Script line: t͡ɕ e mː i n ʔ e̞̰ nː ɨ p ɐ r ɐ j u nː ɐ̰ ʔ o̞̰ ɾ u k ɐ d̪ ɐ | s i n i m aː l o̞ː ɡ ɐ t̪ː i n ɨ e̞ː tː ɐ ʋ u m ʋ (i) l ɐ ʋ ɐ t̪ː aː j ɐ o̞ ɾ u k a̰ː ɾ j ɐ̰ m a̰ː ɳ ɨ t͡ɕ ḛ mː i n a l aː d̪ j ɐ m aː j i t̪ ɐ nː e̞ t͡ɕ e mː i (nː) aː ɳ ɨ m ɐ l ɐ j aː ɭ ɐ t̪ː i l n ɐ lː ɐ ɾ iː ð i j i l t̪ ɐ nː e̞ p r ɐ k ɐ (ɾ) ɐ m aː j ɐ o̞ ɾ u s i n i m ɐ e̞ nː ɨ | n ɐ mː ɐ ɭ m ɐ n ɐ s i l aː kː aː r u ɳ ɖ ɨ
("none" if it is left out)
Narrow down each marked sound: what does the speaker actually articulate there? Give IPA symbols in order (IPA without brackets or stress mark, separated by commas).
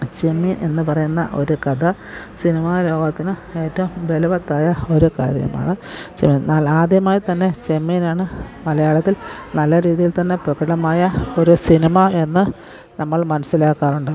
e, n, ɽ